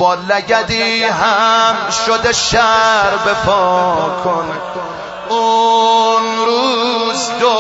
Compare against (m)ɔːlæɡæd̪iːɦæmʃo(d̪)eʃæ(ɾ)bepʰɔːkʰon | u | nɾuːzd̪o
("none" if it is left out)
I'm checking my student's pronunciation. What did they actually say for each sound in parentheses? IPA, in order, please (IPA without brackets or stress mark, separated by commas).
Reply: b, d̪, ɾ